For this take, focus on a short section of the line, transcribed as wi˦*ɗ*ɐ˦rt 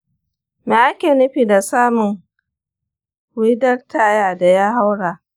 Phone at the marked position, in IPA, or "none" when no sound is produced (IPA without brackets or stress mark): d